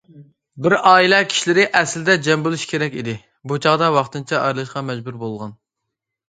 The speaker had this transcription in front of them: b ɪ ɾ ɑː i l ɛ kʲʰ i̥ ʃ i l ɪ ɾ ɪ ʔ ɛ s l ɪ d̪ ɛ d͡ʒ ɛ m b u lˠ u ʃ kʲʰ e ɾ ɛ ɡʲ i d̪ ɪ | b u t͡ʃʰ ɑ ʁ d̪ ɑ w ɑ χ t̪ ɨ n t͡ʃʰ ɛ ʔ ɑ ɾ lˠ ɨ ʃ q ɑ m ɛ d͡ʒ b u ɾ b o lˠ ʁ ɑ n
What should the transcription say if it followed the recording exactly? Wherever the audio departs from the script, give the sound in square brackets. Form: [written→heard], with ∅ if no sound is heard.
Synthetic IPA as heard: b ɪ ɾ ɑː i l ɛ kʲʰ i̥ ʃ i l ɪ ɾ ɪ ʔ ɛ s l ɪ d̪ ɛ d͡ʒ ɛ m b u lˠ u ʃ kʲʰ e ɾ ɛ [ɡʲ→kʲ] i d̪ ɪ | b u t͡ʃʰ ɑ ʁ d̪ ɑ w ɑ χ t̪ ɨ n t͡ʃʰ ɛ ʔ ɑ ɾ lˠ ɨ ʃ q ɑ m ɛ d͡ʒ b u ɾ b o lˠ ʁ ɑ n